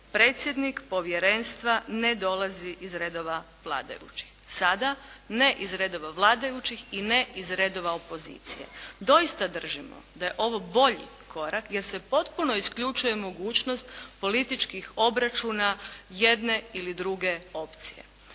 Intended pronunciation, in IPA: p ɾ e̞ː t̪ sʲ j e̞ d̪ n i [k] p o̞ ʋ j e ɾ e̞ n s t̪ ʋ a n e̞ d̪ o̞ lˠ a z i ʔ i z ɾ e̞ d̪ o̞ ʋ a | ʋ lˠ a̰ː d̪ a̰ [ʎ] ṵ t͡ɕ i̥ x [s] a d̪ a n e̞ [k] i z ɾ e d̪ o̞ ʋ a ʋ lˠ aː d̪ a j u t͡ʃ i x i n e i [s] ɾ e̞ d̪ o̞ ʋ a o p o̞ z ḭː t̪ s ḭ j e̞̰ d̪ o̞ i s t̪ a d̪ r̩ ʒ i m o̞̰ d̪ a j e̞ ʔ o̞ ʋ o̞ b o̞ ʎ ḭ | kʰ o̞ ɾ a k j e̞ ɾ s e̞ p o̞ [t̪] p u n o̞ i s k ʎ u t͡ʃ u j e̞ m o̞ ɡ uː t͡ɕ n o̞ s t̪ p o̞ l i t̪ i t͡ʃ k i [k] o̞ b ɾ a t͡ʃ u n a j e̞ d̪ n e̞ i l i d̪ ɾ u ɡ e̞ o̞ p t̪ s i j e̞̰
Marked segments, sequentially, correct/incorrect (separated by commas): correct, incorrect, correct, incorrect, incorrect, correct, incorrect